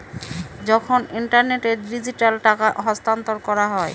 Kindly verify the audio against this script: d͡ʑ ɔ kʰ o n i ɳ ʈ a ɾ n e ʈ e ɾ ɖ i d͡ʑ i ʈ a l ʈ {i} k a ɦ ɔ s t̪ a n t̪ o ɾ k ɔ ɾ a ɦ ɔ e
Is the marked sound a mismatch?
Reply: yes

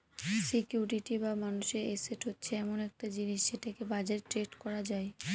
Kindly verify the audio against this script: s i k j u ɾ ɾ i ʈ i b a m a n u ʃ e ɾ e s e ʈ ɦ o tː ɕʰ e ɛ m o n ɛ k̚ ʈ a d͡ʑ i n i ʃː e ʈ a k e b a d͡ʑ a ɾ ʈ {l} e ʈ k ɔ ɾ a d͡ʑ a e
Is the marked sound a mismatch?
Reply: yes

